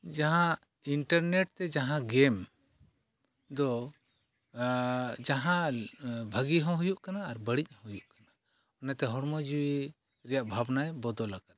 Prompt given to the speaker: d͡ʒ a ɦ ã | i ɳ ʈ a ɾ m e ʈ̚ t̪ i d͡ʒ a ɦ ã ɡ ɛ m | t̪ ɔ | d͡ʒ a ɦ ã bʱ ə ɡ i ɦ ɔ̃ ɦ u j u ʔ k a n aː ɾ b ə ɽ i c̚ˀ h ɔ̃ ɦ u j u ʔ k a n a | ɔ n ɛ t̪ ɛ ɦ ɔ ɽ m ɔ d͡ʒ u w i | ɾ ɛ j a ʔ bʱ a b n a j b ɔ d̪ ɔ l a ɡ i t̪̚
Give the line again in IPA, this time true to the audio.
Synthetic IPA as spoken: d͡ʒ a ɦ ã | i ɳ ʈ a ɾ n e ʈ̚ t̪ ɛ d͡ʒ a ɦ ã ɡ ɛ m | d̪ ɔ | d͡ʒ a ɦ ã bʱ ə ɡ i ɦ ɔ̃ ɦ u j u ʔ k a n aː ɾ b ə ɽ i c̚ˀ h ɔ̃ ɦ u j u ʔ k a n a | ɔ n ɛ t̪ ɛ ɦ ɔ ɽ m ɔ d͡ʒ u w i | ɾ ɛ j a ʔ bʱ a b n a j b ɔ d̪ ɔ l a ɡ a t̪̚